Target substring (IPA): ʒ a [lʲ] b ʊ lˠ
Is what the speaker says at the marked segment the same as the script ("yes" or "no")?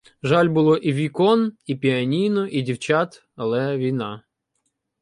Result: yes